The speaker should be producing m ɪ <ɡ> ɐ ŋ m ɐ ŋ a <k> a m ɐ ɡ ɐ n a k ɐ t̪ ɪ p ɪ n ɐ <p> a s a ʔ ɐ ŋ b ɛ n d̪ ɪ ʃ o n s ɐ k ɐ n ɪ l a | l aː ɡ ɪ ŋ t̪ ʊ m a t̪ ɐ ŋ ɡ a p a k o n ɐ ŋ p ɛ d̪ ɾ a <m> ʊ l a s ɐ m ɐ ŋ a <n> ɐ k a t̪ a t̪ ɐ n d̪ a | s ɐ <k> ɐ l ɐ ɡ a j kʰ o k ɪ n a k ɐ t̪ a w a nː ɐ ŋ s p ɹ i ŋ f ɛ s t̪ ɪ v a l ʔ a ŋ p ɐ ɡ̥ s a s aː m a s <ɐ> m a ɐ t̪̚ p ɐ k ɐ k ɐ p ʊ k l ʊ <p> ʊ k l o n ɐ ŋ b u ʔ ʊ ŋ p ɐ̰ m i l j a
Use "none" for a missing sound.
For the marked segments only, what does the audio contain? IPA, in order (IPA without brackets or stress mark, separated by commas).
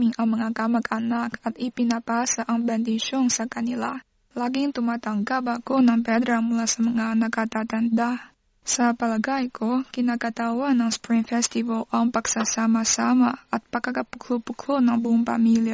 ŋ, k, p, m, n, p, a, p